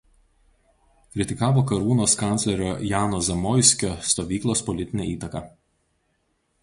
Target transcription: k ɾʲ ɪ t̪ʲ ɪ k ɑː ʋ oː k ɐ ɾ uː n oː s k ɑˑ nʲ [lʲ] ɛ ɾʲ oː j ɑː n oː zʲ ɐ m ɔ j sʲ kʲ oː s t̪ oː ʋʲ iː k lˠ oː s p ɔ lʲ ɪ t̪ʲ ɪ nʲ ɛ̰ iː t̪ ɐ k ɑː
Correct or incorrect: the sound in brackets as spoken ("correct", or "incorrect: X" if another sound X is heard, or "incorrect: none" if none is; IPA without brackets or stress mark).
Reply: correct